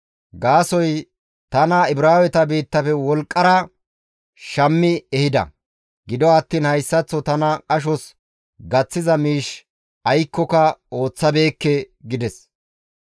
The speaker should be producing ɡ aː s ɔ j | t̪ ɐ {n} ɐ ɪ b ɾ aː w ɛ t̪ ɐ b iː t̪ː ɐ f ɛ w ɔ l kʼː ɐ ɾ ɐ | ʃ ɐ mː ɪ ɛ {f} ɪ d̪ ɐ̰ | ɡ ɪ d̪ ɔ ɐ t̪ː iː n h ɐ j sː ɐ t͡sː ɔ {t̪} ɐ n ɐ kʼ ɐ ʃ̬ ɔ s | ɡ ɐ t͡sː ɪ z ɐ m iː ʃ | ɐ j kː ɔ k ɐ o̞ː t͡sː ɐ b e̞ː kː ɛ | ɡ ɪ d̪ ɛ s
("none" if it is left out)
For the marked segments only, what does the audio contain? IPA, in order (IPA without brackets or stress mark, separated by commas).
n, h, t̪